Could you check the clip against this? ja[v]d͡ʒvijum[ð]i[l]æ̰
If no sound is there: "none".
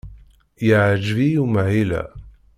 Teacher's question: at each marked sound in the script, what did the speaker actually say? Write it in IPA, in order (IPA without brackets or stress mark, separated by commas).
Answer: ʕ, ʕ, l